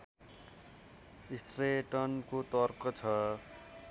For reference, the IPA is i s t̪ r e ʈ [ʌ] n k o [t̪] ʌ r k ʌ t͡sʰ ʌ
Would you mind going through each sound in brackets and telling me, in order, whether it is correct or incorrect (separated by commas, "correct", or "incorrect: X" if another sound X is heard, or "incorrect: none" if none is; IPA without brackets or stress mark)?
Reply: correct, correct